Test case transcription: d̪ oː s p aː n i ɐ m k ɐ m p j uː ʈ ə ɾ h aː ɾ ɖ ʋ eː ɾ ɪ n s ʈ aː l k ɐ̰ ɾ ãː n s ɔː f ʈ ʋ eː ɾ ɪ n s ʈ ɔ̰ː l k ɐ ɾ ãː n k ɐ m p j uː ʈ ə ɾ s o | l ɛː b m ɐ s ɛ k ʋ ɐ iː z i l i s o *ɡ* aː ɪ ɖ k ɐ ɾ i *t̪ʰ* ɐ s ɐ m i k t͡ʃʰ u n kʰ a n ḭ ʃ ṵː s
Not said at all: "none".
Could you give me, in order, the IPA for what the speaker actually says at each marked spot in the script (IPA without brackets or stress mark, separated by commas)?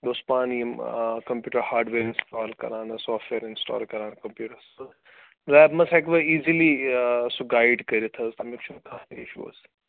ɡ, t̪ʰ